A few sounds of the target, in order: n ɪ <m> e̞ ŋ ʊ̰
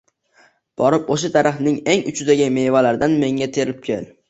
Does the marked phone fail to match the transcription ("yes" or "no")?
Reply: yes